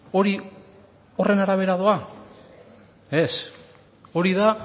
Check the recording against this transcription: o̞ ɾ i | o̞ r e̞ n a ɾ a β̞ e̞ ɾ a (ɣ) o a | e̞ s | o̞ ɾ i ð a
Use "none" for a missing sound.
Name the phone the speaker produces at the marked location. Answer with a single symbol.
ð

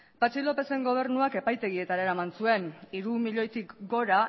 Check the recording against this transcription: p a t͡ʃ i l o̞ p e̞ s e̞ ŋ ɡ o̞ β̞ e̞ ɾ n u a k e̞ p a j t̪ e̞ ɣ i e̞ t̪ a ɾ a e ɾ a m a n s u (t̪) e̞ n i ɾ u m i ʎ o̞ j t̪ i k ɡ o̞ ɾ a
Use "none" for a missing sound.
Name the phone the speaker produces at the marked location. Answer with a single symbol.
none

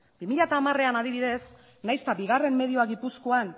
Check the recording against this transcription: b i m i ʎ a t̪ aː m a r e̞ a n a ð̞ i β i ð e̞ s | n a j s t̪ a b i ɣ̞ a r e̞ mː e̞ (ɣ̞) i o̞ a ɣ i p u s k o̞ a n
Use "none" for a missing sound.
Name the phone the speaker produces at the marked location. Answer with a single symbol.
ð̞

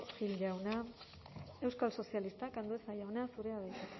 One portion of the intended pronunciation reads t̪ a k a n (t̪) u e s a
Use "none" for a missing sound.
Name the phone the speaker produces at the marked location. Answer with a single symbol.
d̪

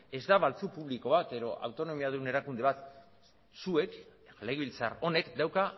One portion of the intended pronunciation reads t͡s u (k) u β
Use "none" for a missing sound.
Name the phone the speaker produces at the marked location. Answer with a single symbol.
p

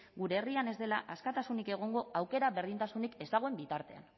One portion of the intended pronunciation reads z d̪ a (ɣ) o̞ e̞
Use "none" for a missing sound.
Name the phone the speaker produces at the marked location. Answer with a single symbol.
ɣ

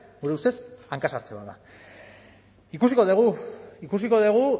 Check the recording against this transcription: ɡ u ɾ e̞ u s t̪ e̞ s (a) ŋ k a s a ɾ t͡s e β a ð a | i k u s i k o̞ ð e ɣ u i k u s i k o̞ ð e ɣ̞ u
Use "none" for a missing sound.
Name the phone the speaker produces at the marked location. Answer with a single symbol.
a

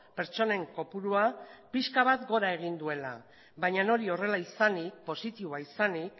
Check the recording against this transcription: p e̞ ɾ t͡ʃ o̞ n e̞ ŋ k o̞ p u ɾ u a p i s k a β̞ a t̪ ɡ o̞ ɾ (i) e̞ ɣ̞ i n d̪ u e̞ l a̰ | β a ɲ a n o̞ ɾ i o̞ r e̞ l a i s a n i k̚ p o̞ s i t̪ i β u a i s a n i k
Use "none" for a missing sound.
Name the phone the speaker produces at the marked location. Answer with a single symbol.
a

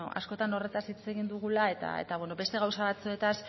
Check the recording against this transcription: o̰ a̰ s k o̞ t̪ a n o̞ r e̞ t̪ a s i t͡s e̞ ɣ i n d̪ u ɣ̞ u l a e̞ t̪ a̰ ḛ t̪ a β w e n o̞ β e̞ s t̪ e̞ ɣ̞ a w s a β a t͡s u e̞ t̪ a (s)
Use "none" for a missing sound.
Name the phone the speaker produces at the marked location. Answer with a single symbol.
s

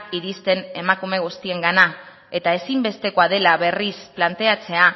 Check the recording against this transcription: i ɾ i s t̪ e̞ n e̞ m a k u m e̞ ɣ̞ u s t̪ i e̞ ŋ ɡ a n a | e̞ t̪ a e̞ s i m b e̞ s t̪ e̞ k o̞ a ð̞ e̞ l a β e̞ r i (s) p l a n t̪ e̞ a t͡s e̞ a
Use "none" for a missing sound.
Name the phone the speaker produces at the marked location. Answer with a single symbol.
s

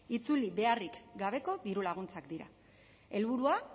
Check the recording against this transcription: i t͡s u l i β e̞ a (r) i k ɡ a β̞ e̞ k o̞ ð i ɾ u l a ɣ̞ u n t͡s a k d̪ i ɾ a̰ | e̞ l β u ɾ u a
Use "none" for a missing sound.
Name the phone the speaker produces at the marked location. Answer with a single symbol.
r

